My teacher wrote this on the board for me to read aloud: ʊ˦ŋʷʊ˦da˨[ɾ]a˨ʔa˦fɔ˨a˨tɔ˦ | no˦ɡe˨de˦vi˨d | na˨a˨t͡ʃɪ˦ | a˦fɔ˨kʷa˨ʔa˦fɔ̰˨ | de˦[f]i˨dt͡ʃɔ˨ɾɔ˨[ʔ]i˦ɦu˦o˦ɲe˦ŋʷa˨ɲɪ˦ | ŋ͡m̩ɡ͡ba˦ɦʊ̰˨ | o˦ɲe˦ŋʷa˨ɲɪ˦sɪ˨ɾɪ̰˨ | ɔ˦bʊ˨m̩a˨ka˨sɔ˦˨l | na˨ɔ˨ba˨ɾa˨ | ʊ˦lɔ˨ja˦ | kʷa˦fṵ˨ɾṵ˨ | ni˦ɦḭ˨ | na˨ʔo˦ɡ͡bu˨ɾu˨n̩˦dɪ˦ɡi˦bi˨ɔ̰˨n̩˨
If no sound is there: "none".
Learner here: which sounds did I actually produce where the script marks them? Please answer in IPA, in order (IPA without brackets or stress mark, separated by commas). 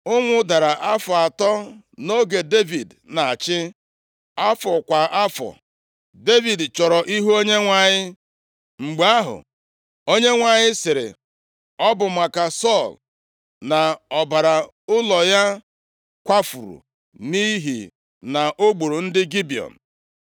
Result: ɾ, v, ʔ